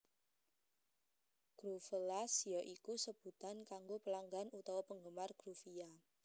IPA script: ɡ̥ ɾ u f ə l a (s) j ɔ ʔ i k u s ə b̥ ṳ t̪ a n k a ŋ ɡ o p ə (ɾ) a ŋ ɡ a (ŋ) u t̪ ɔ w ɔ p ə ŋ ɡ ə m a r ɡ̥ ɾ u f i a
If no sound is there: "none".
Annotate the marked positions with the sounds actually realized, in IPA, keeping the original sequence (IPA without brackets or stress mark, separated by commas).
s, l, n